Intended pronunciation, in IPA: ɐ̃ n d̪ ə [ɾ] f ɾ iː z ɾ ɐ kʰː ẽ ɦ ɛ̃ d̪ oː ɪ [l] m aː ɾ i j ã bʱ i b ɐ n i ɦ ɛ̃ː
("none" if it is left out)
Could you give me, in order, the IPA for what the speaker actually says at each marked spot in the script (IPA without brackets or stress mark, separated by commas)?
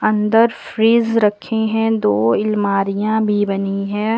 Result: ɾ, l